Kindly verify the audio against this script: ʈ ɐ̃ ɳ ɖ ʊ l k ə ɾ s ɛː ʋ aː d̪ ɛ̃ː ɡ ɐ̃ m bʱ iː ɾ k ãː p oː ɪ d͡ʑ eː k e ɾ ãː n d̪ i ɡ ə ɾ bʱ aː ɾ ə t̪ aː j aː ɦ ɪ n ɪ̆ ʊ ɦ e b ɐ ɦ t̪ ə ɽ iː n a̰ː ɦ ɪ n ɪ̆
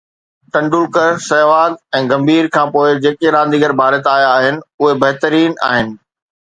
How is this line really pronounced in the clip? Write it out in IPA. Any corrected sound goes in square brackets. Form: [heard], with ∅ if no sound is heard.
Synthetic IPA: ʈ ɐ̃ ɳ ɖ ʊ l k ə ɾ s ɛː ʋ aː d̪ ɛ̃ː ɡ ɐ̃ m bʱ iː ɾ [kʰ] ãː p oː ɪ d͡ʑ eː k e ɾ ãː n d̪ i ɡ ə ɾ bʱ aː ɾ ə t̪ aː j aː ɦ ɪ n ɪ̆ ʊ ɦ e b ɐ ɦ t̪ ə [ɾ] iː n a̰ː ɦ ɪ n ɪ̆